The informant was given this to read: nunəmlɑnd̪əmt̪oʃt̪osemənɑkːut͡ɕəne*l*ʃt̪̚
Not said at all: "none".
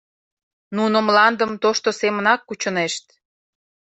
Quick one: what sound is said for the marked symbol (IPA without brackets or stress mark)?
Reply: none